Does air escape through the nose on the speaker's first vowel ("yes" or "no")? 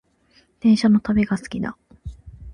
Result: yes